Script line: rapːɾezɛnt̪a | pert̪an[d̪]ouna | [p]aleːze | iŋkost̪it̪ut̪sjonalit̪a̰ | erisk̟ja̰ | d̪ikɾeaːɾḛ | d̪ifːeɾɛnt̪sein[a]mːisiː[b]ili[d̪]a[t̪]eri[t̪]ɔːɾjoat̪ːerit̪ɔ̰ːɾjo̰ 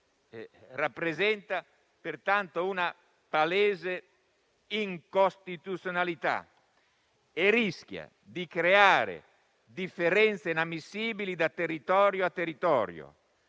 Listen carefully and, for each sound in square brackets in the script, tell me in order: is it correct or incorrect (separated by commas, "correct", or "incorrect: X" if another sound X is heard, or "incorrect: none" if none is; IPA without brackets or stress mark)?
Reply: incorrect: t̪, correct, correct, correct, correct, correct, correct